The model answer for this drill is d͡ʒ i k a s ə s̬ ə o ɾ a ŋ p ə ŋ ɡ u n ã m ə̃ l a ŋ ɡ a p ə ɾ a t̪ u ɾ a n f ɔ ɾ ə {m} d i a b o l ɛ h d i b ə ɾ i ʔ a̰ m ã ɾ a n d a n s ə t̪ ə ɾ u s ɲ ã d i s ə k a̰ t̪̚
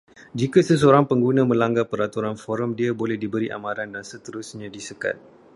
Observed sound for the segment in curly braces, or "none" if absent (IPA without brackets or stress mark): m